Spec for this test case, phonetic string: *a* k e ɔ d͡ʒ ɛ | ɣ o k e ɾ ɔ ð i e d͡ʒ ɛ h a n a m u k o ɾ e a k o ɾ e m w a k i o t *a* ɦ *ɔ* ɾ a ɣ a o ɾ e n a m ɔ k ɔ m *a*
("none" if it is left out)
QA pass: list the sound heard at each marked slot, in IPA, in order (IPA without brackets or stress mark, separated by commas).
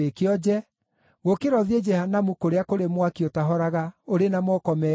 e, a, ɔ, ɛ